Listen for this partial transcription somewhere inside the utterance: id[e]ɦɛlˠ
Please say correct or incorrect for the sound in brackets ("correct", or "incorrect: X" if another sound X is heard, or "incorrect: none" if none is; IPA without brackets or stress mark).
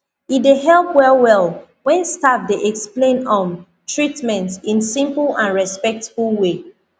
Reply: correct